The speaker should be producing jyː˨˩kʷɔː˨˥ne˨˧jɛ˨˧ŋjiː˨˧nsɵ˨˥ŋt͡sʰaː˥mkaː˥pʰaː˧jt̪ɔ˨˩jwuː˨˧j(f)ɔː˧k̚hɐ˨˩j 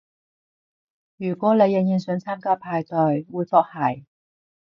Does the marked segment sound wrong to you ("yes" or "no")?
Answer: no